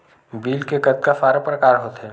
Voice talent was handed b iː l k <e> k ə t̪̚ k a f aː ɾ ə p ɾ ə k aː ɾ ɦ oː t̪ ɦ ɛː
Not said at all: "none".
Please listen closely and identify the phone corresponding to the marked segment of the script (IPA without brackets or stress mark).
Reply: e